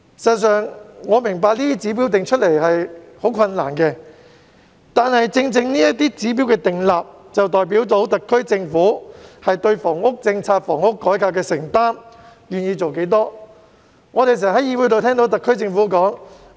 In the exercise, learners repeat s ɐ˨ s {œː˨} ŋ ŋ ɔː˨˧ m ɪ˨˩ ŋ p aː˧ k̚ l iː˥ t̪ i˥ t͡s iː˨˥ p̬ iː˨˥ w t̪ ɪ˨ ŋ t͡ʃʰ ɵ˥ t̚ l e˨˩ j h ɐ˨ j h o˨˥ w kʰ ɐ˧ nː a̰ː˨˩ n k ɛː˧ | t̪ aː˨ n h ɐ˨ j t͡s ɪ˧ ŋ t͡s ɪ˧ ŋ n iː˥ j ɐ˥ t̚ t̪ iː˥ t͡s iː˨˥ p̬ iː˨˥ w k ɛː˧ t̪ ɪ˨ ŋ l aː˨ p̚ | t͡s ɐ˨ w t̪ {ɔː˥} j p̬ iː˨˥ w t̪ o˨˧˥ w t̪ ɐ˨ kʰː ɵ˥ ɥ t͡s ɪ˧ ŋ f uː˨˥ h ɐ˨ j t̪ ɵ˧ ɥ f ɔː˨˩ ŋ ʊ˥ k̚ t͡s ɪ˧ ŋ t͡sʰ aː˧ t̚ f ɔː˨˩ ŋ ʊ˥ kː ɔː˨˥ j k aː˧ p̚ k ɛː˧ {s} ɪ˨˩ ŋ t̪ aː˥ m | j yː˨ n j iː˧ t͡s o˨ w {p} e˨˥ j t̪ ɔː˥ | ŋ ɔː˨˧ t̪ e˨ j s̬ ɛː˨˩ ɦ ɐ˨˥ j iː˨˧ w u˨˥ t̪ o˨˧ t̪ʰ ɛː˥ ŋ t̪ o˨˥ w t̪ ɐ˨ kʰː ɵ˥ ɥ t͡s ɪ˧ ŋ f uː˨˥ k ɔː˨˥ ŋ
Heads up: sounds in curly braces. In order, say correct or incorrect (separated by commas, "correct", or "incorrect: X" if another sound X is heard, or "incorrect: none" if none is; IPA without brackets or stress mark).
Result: correct, incorrect: ɔː˨, correct, incorrect: k